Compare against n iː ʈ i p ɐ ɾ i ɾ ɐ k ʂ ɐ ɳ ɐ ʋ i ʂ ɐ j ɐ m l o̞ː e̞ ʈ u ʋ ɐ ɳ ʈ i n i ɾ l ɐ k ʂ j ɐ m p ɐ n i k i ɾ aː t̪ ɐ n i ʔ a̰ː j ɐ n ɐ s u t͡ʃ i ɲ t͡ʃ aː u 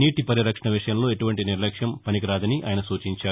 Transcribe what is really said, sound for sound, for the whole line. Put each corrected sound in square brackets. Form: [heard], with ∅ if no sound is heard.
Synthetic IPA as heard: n iː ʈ i p ɐ ɾ i ɾ ɐ k ʂ ɐ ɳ ɐ ʋ i ʂ ɐ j ɐ m l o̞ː e̞ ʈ u ʋ ɐ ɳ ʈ i n i ɾ l ɐ k ʂ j ɐ m p ɐ n i k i ɾ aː [d̪] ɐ n i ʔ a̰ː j ɐ n ɐ s [uː] t͡ʃ i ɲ t͡ʃ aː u